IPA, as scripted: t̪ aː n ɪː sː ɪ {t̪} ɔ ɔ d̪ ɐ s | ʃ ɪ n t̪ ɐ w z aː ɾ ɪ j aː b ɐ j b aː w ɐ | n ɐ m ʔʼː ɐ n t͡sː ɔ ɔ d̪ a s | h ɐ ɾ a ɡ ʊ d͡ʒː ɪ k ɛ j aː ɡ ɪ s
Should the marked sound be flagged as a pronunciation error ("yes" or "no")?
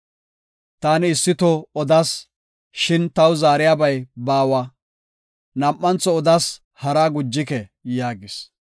no